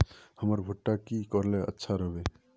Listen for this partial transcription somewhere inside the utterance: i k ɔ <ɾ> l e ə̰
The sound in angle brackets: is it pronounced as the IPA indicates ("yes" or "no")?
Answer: yes